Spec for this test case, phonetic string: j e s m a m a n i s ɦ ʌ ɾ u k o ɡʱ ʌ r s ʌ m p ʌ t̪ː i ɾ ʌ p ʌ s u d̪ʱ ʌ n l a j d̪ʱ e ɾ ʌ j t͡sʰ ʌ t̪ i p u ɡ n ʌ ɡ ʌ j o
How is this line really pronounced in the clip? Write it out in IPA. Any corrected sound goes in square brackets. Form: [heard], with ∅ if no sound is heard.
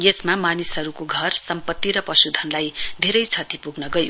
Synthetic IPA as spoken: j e s m a m a n i s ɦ ʌ ɾ u k o ɡʱ ʌ r s ʌ m p ʌ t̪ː i ɾ ʌ p ʌ s u d̪ʱ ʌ n l a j d̪ʱ e ɾ ʌ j t͡sʰ ʌ t̪ i p u ɡ n ʌ ɡ ʌ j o